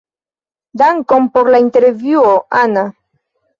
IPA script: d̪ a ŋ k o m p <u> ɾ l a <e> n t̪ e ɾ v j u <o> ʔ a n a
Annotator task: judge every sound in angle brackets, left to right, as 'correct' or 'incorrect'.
incorrect, incorrect, correct

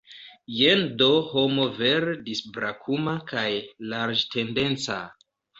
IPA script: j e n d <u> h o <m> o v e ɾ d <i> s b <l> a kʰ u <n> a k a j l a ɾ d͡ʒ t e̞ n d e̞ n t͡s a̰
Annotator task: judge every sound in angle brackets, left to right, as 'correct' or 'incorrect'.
incorrect, correct, correct, incorrect, incorrect

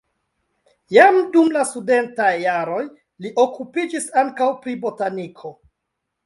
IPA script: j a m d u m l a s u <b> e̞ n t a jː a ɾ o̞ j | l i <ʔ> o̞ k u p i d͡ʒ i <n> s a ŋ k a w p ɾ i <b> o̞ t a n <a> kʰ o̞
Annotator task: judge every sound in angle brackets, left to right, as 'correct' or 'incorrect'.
incorrect, correct, incorrect, correct, incorrect

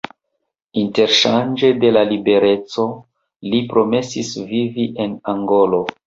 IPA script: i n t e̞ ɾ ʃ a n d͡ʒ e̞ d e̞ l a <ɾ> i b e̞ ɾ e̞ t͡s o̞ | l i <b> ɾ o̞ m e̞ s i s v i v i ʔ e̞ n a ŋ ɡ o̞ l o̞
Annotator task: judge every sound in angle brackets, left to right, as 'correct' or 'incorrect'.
incorrect, incorrect

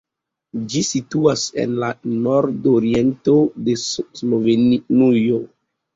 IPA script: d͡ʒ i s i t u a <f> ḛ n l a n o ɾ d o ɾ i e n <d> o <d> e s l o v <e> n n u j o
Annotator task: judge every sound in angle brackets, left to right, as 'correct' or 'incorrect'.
incorrect, incorrect, correct, correct

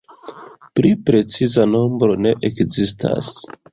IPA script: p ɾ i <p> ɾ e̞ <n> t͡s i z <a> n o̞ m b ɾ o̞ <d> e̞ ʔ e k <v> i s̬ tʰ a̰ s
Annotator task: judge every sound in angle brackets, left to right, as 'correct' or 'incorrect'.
correct, incorrect, correct, incorrect, incorrect

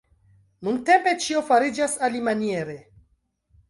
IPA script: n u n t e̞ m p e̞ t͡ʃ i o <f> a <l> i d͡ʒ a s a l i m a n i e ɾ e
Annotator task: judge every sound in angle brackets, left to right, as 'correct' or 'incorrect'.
correct, incorrect

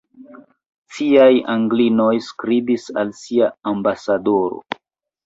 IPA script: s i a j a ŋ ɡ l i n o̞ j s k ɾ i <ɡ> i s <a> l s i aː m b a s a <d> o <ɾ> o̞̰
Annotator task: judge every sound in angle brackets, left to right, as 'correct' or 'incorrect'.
incorrect, correct, correct, correct

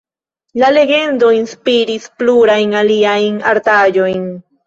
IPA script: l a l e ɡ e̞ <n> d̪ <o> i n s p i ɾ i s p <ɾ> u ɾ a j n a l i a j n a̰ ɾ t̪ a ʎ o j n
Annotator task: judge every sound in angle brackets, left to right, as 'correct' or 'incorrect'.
correct, correct, incorrect

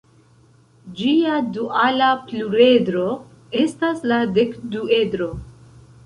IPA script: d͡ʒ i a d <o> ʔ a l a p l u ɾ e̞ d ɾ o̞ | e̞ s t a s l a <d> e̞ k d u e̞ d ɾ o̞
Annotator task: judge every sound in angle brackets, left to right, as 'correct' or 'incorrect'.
incorrect, correct

